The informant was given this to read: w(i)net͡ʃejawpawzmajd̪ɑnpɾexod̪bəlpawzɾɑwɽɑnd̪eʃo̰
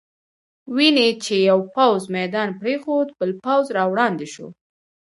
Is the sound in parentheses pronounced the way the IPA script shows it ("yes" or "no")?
yes